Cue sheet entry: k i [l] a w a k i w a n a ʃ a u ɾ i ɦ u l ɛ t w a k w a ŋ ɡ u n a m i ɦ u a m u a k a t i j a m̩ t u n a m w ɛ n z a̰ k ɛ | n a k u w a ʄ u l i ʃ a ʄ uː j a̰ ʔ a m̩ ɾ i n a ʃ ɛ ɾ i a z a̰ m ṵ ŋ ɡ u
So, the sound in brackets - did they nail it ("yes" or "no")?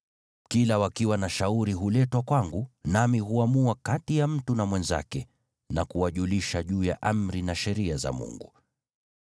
yes